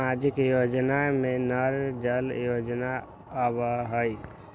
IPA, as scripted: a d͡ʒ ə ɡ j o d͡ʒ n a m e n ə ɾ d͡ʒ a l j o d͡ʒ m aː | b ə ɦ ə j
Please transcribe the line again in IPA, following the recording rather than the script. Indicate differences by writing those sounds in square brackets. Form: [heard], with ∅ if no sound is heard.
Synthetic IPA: a d͡ʒ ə [k] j o d͡ʒ n a m e n ə ɾ d͡ʒ [ə] l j o d͡ʒ [n] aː | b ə ɦ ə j